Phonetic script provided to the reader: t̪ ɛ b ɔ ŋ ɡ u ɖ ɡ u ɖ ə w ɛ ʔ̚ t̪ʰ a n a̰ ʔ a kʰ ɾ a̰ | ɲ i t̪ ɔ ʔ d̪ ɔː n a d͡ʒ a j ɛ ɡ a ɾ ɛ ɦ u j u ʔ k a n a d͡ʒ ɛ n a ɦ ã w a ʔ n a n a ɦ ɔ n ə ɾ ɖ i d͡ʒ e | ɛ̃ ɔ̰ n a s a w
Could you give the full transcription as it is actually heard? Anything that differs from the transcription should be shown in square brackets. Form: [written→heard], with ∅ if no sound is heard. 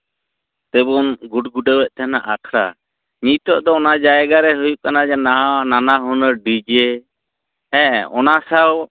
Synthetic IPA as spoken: t̪ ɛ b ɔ [ŋ→n] ɡ u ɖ ɡ u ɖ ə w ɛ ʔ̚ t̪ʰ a n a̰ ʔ a kʰ ɾ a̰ | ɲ i t̪ ɔ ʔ d̪ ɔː n a d͡ʒ a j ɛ ɡ a ɾ ɛ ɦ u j u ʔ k a n a d͡ʒ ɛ n a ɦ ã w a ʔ n a n a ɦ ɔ n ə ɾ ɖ i d͡ʒ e | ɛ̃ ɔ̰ n a s a w